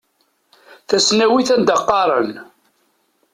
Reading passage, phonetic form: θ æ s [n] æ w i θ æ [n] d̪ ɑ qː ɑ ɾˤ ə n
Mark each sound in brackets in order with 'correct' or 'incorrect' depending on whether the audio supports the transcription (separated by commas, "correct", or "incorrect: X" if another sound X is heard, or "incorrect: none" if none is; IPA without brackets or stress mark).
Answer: correct, correct